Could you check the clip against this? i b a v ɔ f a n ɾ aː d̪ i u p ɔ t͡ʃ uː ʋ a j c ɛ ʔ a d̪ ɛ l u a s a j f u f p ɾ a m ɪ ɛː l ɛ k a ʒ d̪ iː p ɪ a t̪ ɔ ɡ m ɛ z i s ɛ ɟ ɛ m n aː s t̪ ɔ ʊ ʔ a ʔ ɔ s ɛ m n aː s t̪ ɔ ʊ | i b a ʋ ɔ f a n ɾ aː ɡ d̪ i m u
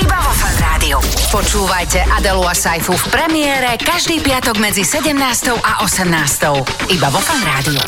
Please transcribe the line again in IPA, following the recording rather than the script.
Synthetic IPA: i b a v ɔ f a n ɾ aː d̪ i u p ɔ t͡ʃ uː ʋ a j c ɛ ʔ a d̪ ɛ l u a s a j f u f p ɾ ɛ m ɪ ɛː ɾ ɛ k a ʒ d̪ iː p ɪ a t̪ ɔ ɡ m ɛ d͡z i s ɛ ɟ ɛ m n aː s t̪ ɔ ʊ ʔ a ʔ ɔ s ɛ m n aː s t̪ ɔ ʊ | i b a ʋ ɔ f a n ɾ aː d̪ i u